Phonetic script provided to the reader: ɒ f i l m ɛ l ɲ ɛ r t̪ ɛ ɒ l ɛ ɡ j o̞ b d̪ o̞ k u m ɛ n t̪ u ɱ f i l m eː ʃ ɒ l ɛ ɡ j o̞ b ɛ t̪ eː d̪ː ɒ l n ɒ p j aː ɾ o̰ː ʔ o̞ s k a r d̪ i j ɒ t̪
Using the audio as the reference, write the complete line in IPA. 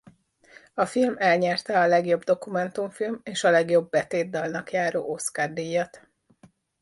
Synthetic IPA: ɒ f i l m ɛ l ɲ ɛ r t̪ ɛ ɒ l ɛ ɡ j o̞ b d̪ o̞ k u m ɛ n t̪ u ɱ f i l m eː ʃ ɒ l ɛ ɡ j o̞ bː ɛ t̪ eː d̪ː ɒ l n ɒ k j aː ɾ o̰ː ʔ o̞ s k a r d̪ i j ɒ t̪